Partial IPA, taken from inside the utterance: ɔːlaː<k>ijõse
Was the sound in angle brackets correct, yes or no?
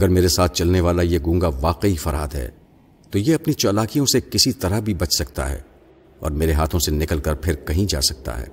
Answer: yes